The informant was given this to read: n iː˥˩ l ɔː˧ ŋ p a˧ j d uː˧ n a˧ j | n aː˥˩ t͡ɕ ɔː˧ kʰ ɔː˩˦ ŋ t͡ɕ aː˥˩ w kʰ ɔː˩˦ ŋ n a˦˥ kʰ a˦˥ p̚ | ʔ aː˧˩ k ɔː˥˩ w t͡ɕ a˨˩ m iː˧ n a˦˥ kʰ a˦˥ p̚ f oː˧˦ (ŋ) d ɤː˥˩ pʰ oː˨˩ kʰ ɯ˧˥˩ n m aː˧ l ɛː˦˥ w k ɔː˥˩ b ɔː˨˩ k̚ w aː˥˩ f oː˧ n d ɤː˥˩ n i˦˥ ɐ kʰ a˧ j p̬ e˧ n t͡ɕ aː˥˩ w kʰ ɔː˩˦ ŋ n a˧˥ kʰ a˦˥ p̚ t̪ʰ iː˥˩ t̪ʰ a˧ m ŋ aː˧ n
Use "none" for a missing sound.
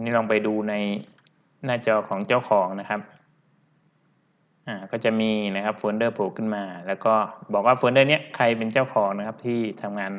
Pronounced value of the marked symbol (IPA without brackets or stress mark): n